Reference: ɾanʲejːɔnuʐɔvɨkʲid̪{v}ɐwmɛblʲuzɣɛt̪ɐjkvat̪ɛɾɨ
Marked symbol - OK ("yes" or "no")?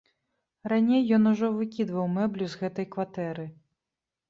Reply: yes